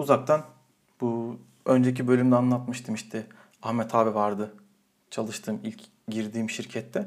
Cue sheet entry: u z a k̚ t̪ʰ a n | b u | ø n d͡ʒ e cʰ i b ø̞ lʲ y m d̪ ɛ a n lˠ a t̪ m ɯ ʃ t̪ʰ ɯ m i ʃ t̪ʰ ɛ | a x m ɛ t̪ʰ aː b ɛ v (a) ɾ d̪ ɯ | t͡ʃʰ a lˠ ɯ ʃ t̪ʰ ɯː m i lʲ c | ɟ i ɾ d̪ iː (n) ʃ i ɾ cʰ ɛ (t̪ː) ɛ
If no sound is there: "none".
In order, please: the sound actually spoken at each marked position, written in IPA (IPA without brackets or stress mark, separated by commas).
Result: a, m, t̪ː